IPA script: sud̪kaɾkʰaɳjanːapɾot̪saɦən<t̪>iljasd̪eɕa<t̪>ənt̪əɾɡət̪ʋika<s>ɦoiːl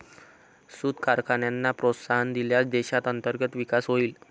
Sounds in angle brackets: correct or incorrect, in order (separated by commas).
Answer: incorrect, correct, correct